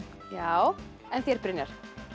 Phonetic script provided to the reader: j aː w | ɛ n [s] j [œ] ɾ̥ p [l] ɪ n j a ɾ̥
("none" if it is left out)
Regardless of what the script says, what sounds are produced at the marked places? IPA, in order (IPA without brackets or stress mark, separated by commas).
θ, ɛ, ɾ